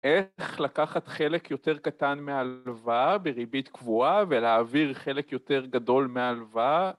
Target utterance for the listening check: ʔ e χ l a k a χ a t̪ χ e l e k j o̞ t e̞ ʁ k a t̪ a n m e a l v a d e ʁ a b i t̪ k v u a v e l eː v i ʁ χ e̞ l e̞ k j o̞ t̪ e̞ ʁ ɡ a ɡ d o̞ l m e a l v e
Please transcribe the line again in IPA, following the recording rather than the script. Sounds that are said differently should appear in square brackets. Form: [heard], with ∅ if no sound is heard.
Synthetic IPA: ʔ e χ l a k a χ a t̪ χ e l e k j o̞ t e̞ ʁ k a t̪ a n m e a l v a [b] e ʁ [i] b i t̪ k v u a v e l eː v i ʁ χ e̞ l e̞ k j o̞ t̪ e̞ ʁ ɡ a [∅] d o̞ l m e a l v [a]